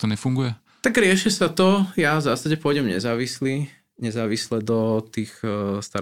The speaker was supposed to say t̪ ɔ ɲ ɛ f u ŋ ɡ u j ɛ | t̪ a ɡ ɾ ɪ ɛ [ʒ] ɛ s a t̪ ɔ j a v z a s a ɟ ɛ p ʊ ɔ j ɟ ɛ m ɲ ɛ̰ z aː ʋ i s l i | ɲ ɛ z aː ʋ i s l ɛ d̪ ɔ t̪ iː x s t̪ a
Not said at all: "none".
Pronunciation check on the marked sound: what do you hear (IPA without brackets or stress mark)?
ʃ